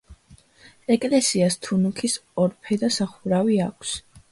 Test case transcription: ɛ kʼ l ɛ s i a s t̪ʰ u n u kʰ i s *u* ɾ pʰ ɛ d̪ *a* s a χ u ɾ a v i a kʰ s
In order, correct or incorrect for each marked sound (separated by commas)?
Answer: incorrect, correct